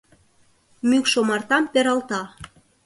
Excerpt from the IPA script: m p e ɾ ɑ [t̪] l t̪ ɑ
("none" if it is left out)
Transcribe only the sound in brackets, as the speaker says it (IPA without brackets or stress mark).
none